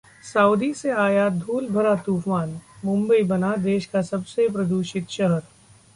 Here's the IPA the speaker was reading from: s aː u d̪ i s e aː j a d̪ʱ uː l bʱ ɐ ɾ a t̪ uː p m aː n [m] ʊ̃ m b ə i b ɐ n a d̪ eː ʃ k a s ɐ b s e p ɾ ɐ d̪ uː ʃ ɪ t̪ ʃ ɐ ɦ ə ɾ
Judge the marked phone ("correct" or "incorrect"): correct